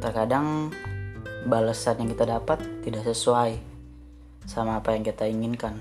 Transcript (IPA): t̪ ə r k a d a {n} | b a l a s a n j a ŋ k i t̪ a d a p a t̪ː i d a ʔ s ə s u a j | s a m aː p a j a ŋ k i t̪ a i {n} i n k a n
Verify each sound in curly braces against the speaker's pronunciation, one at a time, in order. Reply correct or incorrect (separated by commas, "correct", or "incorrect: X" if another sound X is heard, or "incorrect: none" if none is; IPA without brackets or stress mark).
incorrect: ŋ, incorrect: ŋ